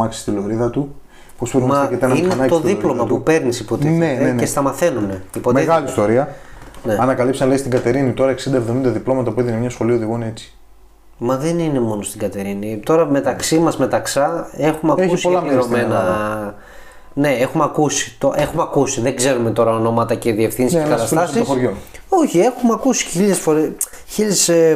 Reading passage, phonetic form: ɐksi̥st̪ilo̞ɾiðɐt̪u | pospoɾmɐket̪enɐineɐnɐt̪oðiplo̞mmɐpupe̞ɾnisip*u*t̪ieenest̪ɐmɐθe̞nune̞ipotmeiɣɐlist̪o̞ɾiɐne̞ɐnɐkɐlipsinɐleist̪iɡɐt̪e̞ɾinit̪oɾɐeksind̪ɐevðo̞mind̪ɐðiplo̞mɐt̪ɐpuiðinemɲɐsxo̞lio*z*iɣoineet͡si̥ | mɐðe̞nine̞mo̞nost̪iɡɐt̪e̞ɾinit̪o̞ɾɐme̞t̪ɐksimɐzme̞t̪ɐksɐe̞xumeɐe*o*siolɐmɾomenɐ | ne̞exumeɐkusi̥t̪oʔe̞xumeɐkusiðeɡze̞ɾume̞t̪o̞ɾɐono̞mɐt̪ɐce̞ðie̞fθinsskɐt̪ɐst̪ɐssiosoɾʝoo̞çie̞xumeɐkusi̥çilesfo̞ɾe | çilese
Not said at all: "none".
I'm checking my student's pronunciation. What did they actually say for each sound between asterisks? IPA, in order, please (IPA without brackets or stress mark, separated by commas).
o, ð, u